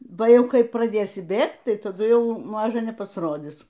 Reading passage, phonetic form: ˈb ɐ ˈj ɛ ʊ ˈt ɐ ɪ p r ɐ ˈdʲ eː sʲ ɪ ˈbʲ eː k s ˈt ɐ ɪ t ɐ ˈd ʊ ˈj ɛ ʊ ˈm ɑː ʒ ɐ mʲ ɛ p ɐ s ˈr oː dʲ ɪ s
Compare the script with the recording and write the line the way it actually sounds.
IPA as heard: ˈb ɐ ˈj ɛ ʊ ˈk ɐ ɪ p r ɐ ˈdʲ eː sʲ ɪ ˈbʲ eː k t ˈt ɐ ɪ t ɐ ˈd ʊ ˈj ɛ ʊ ˈm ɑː ʒ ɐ nʲ ɛ p ɐ s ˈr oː dʲ ɪ s